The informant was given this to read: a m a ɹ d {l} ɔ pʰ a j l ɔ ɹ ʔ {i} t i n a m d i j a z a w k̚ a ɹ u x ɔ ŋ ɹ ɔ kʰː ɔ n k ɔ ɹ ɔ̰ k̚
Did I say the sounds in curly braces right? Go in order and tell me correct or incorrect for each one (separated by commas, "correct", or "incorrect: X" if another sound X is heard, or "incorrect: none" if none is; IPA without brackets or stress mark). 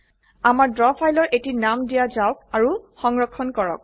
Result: incorrect: ɹ, incorrect: e